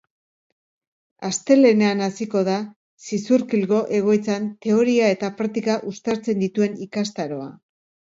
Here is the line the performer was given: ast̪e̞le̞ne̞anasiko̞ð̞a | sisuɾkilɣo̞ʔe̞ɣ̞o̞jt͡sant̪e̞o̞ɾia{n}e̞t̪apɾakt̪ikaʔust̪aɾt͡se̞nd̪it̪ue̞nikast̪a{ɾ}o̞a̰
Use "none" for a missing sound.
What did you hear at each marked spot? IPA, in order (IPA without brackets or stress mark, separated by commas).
none, ɾ